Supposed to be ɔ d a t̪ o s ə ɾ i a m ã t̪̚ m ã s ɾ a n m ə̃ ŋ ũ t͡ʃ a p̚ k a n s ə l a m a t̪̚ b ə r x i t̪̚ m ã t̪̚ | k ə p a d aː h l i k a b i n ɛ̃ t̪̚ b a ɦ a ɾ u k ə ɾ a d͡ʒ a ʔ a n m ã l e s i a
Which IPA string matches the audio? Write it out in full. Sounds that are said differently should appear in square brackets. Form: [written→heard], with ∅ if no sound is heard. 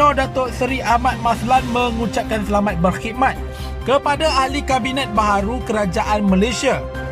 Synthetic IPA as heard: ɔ d a t̪ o s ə ɾ i a m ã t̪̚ m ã s [ɾ→l] a n m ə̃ ŋ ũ t͡ʃ a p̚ k a n s ə l a m a t̪̚ b ə r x i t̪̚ m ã t̪̚ | k ə p a d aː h l i k a b i n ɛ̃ t̪̚ b a ɦ a ɾ u k ə ɾ a d͡ʒ a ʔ a n m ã l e s i a